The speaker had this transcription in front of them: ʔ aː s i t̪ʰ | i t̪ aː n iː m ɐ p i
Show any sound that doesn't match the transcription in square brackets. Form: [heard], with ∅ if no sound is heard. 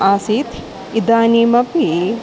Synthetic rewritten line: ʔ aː s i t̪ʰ | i [d̪] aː n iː m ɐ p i